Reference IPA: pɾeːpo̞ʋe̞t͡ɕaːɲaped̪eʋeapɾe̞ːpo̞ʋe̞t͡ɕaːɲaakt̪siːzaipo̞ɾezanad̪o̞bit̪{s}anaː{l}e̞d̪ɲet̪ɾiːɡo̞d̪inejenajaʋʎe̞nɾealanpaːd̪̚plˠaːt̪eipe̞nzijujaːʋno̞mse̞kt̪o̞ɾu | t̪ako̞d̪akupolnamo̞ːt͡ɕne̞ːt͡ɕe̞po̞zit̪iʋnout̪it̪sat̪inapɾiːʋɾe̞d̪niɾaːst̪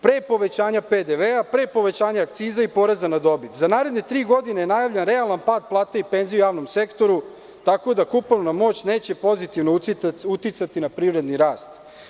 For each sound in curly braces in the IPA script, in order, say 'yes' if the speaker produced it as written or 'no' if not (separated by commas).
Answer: no, no